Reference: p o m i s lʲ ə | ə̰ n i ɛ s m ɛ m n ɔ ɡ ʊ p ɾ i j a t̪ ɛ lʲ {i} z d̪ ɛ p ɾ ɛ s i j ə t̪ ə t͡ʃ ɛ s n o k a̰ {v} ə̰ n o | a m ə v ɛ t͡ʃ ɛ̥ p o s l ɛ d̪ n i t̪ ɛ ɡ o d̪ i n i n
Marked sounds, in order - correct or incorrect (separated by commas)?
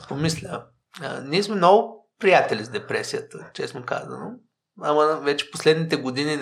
correct, incorrect